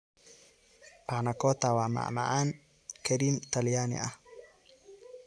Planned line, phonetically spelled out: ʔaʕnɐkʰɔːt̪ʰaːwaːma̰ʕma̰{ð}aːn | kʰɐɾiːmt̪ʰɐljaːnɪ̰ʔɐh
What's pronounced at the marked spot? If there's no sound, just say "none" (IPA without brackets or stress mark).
ʕ